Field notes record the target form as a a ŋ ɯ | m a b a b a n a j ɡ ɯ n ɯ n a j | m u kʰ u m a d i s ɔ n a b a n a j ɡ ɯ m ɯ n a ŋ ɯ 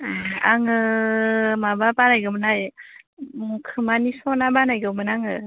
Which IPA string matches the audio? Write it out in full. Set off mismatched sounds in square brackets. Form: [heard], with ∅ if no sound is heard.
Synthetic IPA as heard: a a ŋ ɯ | m a b a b a n a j ɡ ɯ [m] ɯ n a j | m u kʰ [ɯ] m a [n] i s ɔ n a b a n a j ɡ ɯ m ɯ n a ŋ ɯ